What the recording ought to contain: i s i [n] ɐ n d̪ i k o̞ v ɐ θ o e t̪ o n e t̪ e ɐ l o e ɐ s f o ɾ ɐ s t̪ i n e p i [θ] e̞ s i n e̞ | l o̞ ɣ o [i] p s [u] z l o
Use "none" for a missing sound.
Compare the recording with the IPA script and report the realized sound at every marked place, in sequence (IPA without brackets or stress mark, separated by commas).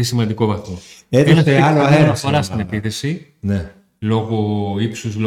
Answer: m, θ, i, u